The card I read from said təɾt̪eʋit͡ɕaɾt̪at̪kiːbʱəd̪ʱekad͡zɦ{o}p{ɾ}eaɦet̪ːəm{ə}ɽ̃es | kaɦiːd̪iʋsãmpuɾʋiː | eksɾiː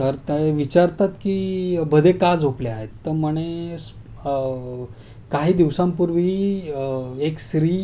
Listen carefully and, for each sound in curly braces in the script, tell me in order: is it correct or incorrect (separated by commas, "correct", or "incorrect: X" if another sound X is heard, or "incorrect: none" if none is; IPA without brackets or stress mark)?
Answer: correct, incorrect: l, correct